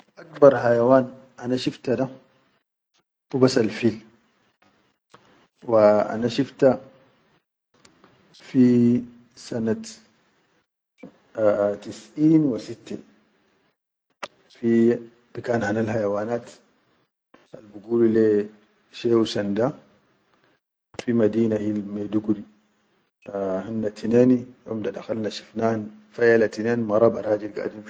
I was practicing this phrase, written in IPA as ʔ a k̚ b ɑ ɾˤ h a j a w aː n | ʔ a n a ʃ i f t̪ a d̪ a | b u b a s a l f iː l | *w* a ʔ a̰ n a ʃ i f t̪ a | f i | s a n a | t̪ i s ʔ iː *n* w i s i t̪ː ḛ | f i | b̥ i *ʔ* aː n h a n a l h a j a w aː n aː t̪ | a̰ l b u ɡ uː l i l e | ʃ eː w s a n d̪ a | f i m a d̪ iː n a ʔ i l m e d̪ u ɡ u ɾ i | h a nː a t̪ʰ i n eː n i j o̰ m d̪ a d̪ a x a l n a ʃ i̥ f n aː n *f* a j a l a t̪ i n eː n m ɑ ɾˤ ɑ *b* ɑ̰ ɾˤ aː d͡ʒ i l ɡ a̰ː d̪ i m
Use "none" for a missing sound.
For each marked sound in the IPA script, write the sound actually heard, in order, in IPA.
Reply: w, n, k, f, b

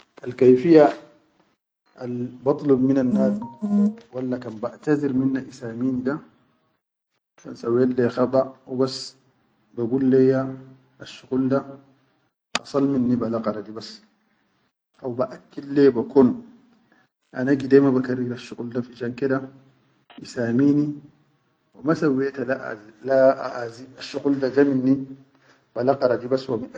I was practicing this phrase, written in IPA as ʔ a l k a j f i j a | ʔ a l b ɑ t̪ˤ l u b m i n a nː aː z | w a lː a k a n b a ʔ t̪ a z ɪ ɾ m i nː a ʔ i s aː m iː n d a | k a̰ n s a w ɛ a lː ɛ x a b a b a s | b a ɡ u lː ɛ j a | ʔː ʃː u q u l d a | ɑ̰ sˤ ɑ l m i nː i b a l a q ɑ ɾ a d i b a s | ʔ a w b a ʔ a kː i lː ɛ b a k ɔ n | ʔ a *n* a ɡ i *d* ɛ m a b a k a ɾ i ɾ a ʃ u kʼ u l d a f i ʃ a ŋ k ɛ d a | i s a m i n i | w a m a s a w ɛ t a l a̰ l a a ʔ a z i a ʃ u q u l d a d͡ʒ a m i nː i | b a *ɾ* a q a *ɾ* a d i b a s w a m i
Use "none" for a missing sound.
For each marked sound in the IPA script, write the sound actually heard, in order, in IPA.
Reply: n, d, l, ɾ

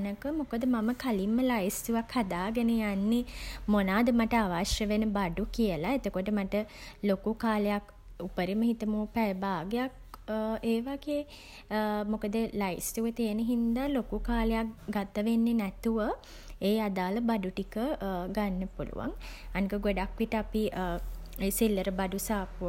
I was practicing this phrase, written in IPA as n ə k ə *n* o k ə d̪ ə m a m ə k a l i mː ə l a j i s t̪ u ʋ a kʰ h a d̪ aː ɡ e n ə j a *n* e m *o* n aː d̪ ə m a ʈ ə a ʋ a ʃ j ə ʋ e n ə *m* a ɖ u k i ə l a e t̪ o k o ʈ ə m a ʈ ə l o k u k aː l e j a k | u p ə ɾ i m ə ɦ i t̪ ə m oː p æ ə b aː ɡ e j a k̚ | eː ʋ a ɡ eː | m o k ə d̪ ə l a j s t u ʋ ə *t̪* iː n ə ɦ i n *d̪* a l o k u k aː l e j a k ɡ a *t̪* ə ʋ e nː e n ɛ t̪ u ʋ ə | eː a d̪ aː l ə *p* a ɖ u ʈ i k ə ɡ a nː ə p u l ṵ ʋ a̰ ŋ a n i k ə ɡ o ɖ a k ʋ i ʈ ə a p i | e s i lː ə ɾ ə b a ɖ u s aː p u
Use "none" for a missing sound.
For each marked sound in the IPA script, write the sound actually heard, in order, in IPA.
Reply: m, nː, o, b, t̪, d̪, t̪, b

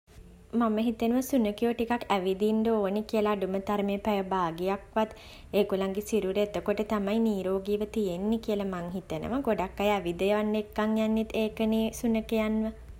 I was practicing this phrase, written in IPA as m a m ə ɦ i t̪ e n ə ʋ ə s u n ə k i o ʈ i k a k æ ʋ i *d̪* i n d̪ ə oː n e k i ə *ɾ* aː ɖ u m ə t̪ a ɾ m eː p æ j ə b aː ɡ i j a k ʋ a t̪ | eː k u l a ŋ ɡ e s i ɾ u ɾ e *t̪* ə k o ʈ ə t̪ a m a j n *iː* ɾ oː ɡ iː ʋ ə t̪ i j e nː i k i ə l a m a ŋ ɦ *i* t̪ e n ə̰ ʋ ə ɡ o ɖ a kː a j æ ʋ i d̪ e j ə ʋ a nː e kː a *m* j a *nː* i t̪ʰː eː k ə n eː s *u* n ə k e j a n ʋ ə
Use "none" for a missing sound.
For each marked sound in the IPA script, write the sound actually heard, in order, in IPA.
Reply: d̪, l, t̪, iː, i, ŋ, nː, u

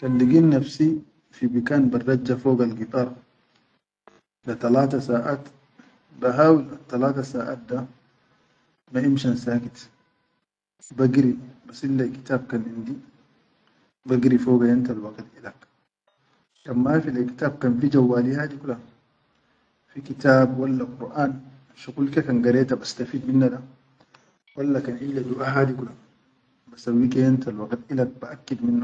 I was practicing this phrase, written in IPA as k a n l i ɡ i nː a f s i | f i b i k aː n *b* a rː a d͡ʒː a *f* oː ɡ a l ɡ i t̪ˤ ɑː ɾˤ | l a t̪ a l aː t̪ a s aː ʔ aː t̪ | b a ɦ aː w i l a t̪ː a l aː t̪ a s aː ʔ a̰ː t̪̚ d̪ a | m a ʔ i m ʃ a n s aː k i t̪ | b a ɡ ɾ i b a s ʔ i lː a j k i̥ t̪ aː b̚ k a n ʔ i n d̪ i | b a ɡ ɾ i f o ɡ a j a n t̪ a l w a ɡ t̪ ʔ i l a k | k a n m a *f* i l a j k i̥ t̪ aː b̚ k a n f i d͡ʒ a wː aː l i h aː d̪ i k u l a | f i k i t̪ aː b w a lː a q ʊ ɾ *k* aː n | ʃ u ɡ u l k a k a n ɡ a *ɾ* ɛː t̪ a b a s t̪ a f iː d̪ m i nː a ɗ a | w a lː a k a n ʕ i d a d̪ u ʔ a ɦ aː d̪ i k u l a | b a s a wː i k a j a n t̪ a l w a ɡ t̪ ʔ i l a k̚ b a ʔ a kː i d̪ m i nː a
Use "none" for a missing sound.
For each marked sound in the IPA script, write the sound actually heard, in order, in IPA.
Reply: b, f, f, ʔ, ɾ

